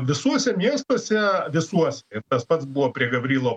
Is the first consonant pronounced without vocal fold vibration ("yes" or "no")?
no